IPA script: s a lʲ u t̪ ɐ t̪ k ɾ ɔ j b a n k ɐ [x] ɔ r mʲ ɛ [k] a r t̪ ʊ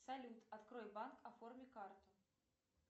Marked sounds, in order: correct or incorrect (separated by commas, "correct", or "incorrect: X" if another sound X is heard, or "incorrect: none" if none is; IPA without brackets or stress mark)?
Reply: incorrect: f, correct